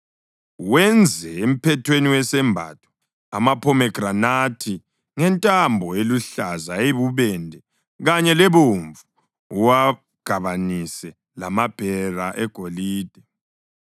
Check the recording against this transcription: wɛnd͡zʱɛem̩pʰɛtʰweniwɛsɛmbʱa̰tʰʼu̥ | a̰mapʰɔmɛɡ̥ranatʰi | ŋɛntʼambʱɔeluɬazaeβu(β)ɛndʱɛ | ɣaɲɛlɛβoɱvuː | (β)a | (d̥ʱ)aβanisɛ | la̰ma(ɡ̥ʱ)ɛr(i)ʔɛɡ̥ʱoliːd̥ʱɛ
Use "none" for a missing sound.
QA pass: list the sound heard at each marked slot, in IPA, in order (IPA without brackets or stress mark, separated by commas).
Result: β, w, ɡ̥ʱ, b̥ʱ, a